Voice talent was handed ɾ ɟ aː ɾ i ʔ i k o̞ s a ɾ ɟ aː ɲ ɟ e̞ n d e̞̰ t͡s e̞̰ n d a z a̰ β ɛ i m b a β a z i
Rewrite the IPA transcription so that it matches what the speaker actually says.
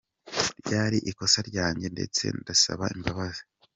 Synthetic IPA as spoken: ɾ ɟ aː ɾ i ʔ i k o̞ s a ɾ ɟ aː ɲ ɟ e̞ n d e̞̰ t͡s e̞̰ n d a s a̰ β a i m b a β a z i

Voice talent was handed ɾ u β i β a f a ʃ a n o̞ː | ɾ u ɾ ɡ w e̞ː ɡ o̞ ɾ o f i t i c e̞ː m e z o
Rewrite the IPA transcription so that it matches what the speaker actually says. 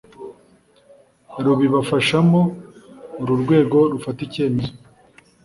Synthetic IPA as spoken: ɾ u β i β a f a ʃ a m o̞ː | ɾ u ɾ ɡ w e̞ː ɡ o̞ ɾ u f a t i c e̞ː m e z o

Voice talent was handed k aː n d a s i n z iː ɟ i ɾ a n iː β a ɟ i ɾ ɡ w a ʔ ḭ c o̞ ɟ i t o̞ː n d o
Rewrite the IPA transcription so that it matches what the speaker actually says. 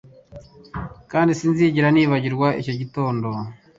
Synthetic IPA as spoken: k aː n d i s i n z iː ɟ i ɾ a n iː β a ɟ i ɾ ɡ w a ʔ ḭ c o̞ ɟ i t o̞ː n d o

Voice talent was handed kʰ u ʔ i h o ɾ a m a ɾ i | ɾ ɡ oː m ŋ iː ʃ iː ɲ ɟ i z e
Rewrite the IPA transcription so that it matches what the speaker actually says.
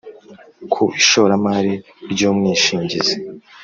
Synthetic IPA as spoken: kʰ u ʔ i ʃ o ɾ a m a ɾ i | ɾ ɟ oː m ŋ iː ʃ iː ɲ ɟ i z e

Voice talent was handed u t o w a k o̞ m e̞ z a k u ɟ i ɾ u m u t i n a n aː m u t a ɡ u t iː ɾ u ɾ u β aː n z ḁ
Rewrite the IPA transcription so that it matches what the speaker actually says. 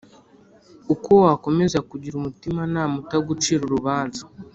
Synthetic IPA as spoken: u k o w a k o̞ m e̞ z a k u ɟ i ɾ u m u t i m a n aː m u t a ɡ u t͡ʃ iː ɾ u ɾ u β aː n z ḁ

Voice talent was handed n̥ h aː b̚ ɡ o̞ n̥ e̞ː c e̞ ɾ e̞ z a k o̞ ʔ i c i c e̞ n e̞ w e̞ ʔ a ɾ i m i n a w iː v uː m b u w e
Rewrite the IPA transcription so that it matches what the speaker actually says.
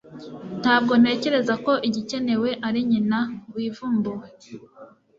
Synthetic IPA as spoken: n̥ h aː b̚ ɡ o̞ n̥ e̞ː c e̞ ɾ e̞ z a k o̞ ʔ i ɟ i c e̞ n e̞ w e̞ ʔ a ɾ i ɲ i n a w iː v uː m b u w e

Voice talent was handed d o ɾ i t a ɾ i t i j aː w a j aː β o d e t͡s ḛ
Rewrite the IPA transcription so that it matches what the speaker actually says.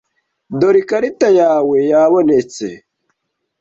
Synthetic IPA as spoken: d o ɾ i k a ɾ i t a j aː w e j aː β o n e t͡s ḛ

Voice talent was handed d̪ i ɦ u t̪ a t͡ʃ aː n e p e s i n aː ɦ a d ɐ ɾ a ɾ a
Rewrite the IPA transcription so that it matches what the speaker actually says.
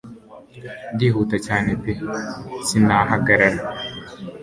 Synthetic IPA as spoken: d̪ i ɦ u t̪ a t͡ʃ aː n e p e s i n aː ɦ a ɡ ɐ ɾ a ɾ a

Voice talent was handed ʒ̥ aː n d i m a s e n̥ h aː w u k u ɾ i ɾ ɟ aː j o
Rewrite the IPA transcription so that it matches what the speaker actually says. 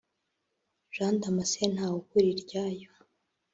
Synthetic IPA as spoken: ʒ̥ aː n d a m a s e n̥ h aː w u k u ɾ i ɾ ɟ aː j o

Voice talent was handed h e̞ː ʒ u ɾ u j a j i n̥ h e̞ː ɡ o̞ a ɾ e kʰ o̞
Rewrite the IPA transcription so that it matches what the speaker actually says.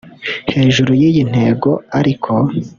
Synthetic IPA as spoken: h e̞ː ʒ u ɾ u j i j i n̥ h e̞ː ɡ o̞ a ɾ i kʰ o̞

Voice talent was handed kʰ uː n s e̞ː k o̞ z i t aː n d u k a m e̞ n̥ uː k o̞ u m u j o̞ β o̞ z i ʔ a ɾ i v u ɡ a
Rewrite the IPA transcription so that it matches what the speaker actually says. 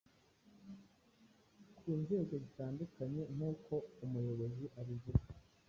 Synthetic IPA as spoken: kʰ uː n z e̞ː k o̞ z i t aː n d u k a ɲ e̞ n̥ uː k o̞ u m u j o̞ β o̞ z i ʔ a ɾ i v u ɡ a

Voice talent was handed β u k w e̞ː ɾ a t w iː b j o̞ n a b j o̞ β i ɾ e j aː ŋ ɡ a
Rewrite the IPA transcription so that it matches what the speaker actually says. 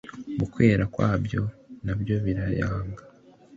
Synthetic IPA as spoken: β u k w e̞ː ɾ a k w aː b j o̞ n a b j o̞ β i ɾ a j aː ŋ ɡ a

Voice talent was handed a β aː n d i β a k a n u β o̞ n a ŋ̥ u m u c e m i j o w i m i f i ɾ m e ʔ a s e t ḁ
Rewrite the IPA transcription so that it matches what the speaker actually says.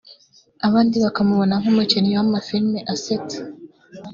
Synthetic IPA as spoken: a β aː n d i β a k a m u β o̞ n a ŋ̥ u m u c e n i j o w a m a f i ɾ m e ʔ a s e t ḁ

